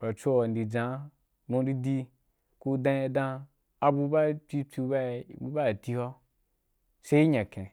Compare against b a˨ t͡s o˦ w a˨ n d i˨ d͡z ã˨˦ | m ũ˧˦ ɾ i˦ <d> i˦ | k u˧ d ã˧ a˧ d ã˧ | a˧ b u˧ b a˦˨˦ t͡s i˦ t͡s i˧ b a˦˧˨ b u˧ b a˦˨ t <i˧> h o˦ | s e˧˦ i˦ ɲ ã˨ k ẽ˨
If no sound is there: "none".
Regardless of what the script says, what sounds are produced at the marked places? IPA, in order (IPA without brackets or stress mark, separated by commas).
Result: d, i˧